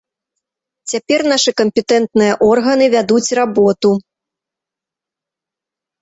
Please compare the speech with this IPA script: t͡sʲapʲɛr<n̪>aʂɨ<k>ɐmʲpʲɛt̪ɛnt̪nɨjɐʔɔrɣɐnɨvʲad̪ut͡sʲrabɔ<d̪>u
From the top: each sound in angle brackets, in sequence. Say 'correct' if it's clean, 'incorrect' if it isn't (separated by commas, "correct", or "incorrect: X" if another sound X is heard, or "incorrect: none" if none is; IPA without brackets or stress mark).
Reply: correct, correct, incorrect: t̪